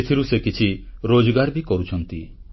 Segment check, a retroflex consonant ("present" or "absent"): absent